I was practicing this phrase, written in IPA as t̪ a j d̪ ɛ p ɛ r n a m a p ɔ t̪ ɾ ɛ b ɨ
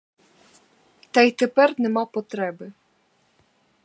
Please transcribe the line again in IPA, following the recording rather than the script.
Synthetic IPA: t̪ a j t̪ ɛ p ɛ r n ɛ m a p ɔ t̪ ɾ ɛ b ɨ

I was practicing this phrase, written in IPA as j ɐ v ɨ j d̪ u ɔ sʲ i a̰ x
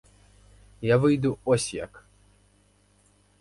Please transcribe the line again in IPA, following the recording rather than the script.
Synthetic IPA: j a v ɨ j d̪ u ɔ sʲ j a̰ k

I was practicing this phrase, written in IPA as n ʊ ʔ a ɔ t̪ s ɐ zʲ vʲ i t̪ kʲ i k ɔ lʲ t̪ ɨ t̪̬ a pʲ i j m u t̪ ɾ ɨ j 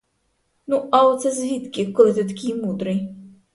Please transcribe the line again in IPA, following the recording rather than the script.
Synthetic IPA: n u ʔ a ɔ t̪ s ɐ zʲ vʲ i t̪ kʲ i k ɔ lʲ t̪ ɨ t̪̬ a kʲ i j m u d̪ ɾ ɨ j

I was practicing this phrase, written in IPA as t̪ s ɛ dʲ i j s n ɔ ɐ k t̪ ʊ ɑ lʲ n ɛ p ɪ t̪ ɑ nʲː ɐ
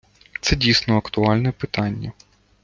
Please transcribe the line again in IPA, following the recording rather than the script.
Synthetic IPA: t̪ s ɛ dʲ i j s n ɔ ɐ k t̪ ʊ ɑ lʲ n ɛ p ɪ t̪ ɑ nʲː ɐ

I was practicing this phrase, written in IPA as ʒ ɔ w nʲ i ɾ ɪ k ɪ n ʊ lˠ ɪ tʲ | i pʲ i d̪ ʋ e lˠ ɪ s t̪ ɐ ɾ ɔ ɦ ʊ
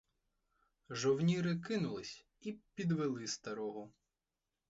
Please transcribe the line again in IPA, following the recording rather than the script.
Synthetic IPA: ʒ ɔ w nʲ i ɾ ɪ k ɪ n ʊ lˠ ɪ sʲ | i pʲ i d̪ ʋ e lˠ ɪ s t̪ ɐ ɾ ɔ ɦ ʊ

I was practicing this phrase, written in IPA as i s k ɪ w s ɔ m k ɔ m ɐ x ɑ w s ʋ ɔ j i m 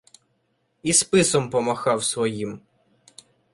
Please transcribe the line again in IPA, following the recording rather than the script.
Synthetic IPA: i s p ɪ s ɔ m p ɔ m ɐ x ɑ w s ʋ ɔ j i m

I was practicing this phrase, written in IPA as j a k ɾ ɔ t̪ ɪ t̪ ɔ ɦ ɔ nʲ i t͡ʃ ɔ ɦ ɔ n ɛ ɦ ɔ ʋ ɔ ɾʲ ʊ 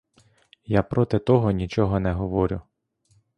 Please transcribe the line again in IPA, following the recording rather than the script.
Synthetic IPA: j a p ɾ ɔ t̪ ɪ t̪ ɔ ɦ ɔ nʲ i t͡ʃ ɔ ɦ ɔ n ɛ ɦ ɔ ʋ ɔ ɾʲ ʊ

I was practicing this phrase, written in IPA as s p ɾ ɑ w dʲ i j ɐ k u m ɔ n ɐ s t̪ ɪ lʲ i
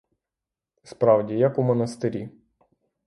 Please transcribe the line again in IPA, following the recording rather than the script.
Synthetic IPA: s p ɾ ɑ w dʲ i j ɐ k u m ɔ n ɐ s t̪ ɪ ɾʲ i

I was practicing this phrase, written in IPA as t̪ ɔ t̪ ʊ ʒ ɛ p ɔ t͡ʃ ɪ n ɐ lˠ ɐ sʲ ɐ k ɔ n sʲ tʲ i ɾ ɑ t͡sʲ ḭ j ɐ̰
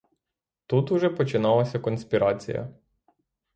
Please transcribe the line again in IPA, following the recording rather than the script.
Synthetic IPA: t̪ u t̪ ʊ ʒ ɛ p ɔ t͡ʃ ɪ n ɑ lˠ ɐ sʲ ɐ k ɔ n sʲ pʲ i ɾ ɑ t͡sʲ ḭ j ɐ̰

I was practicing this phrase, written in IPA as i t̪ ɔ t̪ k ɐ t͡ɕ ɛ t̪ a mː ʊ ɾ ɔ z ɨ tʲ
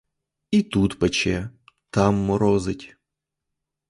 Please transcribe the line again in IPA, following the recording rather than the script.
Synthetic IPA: i t̪ u t̪ p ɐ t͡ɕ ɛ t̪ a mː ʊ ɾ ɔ z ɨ tʲ

